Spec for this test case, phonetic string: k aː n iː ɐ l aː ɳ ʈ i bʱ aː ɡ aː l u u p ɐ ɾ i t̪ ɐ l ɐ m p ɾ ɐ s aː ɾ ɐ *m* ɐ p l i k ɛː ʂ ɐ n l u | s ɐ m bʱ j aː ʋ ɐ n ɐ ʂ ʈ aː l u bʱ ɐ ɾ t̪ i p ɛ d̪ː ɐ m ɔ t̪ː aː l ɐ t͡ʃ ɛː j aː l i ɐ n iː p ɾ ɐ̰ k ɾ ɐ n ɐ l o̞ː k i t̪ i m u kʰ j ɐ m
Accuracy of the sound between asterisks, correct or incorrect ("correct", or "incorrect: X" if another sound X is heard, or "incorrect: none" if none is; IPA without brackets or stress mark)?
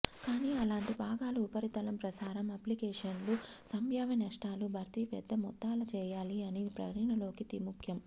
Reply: correct